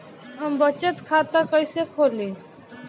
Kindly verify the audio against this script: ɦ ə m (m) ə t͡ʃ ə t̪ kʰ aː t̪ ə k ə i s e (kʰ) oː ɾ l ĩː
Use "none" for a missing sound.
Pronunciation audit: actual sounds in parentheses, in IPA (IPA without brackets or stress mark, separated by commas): b, kʰ